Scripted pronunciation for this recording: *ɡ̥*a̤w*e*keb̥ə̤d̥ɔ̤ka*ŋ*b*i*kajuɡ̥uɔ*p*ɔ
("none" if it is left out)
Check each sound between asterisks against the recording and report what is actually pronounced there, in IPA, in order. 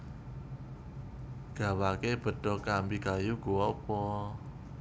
ɡ̥, a, m, i, p

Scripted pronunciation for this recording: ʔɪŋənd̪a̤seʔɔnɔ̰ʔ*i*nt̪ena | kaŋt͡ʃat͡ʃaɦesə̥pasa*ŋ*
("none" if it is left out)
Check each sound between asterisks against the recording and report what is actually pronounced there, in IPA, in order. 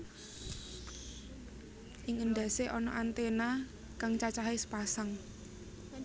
a, ŋ

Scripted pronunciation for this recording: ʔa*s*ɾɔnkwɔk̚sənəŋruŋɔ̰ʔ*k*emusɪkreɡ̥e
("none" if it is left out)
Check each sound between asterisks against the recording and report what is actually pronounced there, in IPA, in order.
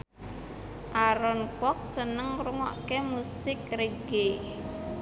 none, k

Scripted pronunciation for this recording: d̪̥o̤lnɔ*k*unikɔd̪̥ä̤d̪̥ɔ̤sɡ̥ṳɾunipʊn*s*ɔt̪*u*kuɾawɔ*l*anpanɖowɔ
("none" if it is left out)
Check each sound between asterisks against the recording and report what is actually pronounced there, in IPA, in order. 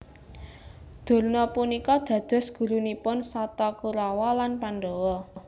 p, s, ɔ, l

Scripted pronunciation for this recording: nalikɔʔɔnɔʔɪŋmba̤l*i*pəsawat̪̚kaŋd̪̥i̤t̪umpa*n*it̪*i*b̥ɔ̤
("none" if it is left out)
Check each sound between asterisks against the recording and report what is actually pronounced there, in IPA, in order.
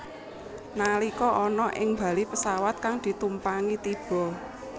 i, ŋ, i

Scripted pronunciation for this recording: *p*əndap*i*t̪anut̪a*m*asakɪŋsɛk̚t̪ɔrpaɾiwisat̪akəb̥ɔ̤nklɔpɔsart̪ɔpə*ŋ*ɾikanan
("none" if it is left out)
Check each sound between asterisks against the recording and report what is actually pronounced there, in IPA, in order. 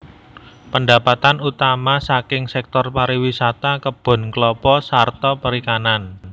p, a, m, none

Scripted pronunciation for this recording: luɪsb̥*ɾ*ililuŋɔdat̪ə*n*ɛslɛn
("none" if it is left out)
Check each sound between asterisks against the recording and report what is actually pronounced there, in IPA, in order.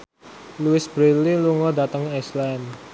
ɾ, ŋ

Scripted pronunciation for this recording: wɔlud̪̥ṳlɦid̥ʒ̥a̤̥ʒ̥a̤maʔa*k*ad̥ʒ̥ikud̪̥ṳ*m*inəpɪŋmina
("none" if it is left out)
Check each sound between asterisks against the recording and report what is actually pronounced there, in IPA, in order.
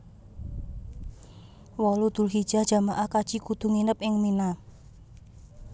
k, ŋ

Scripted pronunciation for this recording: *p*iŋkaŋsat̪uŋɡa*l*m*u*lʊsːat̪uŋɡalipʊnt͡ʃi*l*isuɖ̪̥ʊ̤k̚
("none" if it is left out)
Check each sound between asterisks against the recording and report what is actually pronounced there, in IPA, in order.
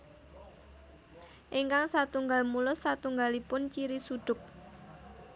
ʔ, l, u, ɾ

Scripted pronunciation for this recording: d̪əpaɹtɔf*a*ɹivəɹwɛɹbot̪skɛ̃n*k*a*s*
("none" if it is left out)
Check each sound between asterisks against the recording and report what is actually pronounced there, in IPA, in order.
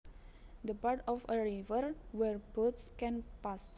ə, p, s

